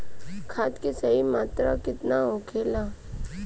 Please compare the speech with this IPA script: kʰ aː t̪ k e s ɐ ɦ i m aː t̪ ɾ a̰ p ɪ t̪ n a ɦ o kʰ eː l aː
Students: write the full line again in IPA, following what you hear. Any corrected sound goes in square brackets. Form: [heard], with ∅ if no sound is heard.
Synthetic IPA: kʰ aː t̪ k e s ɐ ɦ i m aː t̪ ɾ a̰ [k] ɪ t̪ n a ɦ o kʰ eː l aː